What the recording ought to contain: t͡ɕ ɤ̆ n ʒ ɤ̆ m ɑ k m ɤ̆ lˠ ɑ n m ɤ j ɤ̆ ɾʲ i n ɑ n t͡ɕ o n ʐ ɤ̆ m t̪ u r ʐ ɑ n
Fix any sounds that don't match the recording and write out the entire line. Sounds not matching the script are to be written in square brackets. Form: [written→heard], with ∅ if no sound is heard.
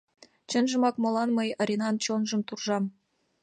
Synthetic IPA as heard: t͡ɕ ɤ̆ n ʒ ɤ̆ m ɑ k m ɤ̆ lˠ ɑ n m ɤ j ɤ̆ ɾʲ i n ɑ n t͡ɕ o n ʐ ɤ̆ m t̪ u r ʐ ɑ [n→m]